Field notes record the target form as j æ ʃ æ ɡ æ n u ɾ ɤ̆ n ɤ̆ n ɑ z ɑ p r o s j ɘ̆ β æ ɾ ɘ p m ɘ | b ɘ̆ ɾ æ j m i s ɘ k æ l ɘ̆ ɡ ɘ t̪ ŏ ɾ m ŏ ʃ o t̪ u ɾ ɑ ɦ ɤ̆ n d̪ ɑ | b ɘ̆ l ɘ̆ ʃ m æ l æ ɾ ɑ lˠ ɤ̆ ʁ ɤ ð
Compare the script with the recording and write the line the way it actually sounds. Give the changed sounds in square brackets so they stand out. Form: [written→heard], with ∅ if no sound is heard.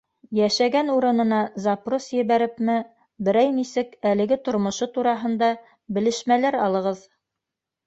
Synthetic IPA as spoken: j æ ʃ æ ɡ æ n u ɾ ɤ̆ n ɤ̆ n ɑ z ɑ p r o s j ɘ̆ β æ ɾ ɘ p m ɘ | b ɘ̆ ɾ æ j [m→n] i s ɘ k æ l ɘ̆ ɡ ɘ t̪ ŏ ɾ m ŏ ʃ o t̪ u ɾ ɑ ɦ ɤ̆ n d̪ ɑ | b ɘ̆ l ɘ̆ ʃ m æ l æ ɾ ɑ lˠ ɤ̆ ʁ ɤ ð